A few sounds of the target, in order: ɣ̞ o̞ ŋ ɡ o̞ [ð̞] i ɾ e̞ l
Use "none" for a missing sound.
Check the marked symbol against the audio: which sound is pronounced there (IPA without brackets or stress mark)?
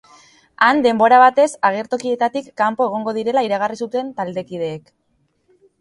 ð̞